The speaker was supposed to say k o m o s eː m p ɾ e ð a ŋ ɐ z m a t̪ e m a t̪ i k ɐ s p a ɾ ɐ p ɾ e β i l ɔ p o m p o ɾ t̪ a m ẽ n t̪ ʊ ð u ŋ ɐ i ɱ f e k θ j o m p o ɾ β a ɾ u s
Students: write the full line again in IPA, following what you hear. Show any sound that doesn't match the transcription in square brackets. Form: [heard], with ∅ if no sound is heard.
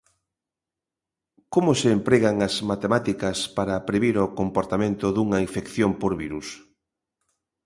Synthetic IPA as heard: k o m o s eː m p ɾ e [ɣ] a ŋ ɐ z m a t̪ e m a t̪ i k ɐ s p a ɾ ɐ p ɾ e β i [ɾ] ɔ [k] o m p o ɾ t̪ a m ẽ n t̪ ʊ ð u ŋ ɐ i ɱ f e k θ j o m p o ɾ β [i] ɾ u s